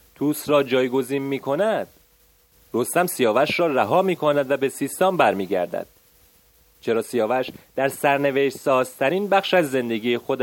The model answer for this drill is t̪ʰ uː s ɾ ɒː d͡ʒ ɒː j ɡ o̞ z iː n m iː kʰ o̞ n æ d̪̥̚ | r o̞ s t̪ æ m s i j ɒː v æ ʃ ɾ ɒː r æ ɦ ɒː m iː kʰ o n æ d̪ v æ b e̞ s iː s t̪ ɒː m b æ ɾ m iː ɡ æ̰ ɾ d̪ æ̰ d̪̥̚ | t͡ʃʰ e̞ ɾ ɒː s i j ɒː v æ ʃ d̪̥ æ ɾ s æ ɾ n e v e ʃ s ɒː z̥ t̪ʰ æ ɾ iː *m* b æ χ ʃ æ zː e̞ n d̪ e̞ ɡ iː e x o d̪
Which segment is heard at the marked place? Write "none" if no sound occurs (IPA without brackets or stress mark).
n